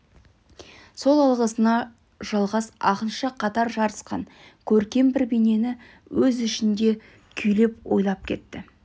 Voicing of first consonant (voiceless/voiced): voiceless